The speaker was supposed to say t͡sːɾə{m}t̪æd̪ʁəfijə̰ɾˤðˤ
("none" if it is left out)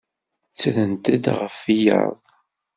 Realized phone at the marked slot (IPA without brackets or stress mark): n